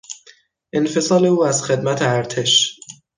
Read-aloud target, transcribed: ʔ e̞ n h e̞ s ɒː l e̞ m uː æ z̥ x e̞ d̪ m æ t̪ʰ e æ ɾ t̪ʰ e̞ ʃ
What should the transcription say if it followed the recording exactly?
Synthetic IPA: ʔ e̞ n f e̞ s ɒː l e̞ uː æ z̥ x e̞ d̪ m æ t̪ʰ e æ ɾ t̪ʰ e̞ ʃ